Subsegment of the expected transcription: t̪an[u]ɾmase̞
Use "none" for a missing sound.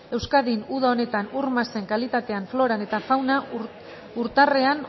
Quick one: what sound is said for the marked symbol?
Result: u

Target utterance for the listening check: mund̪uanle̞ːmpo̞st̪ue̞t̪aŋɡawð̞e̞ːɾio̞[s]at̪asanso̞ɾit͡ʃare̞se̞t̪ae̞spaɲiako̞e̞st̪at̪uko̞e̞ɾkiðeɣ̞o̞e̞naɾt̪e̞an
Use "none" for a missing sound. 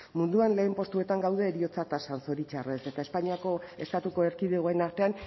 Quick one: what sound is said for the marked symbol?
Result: t͡s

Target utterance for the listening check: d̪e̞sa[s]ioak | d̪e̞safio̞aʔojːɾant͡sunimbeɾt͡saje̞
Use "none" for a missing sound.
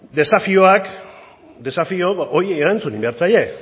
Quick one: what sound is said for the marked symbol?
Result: f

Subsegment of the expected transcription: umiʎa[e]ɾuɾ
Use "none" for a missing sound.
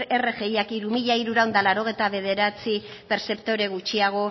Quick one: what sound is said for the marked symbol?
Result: i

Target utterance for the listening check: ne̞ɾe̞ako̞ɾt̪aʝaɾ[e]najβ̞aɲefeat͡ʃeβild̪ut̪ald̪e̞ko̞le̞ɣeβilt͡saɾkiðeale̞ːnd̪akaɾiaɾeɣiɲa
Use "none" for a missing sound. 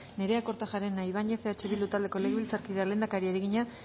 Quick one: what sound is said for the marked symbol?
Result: e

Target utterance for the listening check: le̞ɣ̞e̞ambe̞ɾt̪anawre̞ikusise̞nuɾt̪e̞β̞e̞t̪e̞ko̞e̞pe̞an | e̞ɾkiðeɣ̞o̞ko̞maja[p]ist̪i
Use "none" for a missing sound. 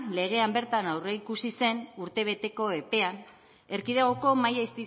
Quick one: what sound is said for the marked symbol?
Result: none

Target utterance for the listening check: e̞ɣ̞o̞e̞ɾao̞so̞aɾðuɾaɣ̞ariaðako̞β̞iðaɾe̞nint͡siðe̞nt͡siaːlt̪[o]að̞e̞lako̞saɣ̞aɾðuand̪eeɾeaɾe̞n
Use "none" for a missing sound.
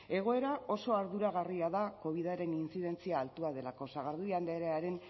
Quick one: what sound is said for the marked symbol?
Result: u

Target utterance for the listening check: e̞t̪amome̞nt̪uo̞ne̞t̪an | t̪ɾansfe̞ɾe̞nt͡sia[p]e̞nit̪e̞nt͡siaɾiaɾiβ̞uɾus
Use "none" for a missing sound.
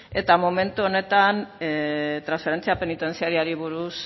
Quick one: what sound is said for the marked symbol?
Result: p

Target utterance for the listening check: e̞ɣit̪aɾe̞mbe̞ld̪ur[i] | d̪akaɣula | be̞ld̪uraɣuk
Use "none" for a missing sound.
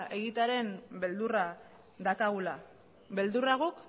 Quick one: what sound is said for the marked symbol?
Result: a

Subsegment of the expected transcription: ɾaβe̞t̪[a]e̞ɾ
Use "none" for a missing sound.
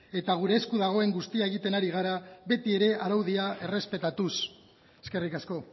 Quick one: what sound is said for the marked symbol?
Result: i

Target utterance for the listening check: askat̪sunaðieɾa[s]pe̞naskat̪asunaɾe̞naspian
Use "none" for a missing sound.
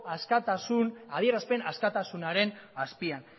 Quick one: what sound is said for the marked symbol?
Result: s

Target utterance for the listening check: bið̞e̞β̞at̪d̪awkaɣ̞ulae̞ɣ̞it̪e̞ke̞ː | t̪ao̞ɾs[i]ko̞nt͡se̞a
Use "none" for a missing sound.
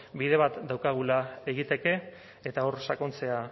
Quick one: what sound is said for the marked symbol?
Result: a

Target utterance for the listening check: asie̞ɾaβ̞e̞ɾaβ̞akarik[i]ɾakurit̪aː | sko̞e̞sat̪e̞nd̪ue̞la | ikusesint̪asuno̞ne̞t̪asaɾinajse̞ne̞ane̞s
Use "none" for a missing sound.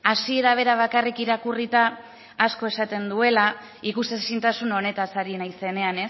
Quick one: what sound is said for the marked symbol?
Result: i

